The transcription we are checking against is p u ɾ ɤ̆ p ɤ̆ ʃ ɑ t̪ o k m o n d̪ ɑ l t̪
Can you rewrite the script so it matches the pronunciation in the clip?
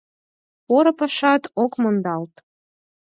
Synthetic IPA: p o ɾ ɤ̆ p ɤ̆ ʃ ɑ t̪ o k m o n d̪ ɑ l t̪